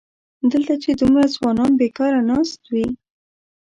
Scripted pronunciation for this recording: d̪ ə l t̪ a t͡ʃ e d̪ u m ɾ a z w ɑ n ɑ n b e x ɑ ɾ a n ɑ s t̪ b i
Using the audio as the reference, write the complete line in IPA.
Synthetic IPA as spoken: d̪ ə l t̪ a t͡ʃ e d̪ u m ɾ a z w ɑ n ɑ n b e k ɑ ɾ a n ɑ s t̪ w i